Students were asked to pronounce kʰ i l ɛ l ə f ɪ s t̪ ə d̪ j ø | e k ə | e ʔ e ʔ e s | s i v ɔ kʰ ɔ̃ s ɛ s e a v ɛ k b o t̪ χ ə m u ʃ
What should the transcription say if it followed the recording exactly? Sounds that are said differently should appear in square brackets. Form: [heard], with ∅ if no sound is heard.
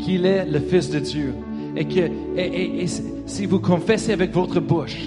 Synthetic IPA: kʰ i l ɛ l ə f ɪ s [d̪] ə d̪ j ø | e k ə | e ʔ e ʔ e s | s i v [u] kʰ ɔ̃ [f] ɛ s e a v ɛ k [v] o t̪ χ ə [b] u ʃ